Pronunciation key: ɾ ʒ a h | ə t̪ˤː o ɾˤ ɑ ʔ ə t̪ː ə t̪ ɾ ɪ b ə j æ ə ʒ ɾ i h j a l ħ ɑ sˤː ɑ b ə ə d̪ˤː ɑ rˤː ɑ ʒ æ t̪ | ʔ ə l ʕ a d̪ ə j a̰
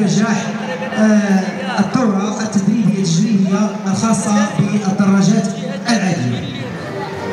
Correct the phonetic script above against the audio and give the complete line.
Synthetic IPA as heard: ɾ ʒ a ħ | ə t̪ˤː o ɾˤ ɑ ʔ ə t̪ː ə d̪ ɾ i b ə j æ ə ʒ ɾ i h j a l x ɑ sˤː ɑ b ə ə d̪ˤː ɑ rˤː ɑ ʒ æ t̪ | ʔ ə l ʕ a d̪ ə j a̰